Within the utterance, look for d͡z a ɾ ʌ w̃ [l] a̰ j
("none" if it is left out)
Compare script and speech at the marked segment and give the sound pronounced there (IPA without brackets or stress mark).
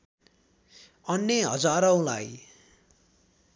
l